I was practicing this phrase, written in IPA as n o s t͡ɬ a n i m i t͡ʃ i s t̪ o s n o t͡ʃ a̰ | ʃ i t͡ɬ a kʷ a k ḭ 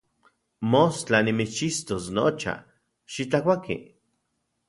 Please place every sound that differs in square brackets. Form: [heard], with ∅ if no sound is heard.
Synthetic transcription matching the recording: [m] o s t͡ɬ a n i m i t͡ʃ i s t̪ o s n o t͡ʃ a̰ | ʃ i t͡ɬ a kʷ a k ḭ

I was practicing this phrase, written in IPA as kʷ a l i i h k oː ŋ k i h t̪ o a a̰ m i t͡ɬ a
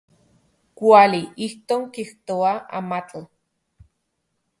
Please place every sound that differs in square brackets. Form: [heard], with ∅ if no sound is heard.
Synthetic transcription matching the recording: kʷ a l i i h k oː ŋ k i h t̪ o a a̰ m [a] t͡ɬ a

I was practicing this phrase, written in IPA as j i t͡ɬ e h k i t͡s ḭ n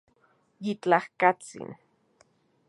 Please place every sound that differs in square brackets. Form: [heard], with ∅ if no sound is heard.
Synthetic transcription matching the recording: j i t͡ɬ [a] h k [a] t͡s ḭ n

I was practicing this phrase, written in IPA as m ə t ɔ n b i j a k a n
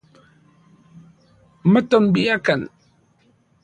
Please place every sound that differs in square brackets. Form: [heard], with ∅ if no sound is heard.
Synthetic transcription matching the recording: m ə t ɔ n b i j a k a n

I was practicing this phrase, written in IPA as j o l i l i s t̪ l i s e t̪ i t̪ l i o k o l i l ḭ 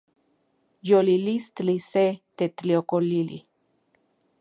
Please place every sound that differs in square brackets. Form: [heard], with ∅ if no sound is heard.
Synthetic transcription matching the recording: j o l i l i s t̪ l i s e t̪ [e] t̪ l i o k o l i l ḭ

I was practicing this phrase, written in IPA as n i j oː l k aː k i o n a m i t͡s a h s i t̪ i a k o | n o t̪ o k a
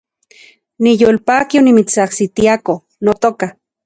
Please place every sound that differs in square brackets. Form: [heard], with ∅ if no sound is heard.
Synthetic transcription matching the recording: n i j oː l [p] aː k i o n [i] m i t͡s a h s i t̪ i a k o | n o t̪ o k a

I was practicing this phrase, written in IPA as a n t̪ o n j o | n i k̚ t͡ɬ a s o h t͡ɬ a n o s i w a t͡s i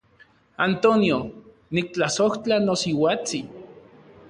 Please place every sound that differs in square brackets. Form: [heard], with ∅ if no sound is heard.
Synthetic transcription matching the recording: a n t̪ o n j o | n i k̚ t͡ɬ a s o h t͡ɬ a n o s i w a t͡s i

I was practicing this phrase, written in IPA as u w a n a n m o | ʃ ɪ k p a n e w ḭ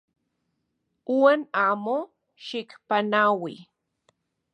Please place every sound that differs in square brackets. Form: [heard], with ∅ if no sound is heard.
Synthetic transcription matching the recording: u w a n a [∅] m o | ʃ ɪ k p a n [a] w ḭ

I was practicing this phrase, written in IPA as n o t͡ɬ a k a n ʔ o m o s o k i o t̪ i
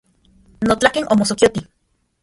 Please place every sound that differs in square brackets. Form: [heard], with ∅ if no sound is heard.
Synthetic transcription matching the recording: n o t͡ɬ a k [e] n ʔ o m o s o k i o t̪ i

